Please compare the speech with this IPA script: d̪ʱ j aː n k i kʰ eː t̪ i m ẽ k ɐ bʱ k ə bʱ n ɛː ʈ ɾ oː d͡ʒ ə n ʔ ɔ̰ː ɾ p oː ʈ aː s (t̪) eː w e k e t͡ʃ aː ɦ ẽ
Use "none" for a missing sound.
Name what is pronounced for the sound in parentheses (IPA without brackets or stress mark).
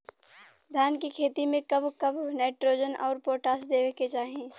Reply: d̪